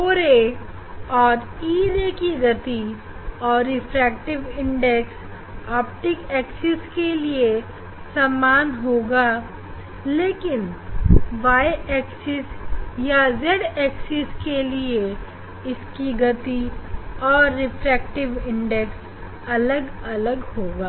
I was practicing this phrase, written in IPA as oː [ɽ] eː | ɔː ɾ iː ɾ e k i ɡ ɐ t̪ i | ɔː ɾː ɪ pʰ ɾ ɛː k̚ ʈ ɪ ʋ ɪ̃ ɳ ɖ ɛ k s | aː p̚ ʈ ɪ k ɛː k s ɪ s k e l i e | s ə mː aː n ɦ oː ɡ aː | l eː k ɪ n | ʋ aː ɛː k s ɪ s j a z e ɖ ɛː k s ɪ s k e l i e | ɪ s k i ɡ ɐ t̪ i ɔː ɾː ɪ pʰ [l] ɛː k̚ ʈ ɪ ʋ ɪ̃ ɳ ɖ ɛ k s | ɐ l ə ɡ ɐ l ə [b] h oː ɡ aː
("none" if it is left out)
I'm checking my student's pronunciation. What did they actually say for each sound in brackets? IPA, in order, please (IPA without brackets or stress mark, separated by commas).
ɾ, ɾ, ɡ